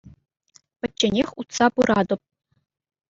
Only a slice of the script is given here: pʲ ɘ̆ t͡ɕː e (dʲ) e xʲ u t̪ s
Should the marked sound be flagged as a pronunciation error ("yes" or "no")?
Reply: yes